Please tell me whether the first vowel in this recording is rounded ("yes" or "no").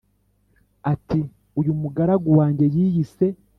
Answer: no